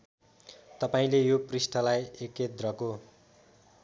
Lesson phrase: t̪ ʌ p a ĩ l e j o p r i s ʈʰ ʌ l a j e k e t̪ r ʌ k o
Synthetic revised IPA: t̪ ʌ p a ĩ l e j o p r i s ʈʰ ʌ l a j e k e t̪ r ʌ k o